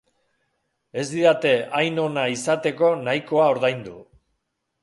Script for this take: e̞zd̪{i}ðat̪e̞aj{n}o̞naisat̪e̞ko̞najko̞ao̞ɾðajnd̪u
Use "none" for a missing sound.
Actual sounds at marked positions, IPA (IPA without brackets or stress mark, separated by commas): i, n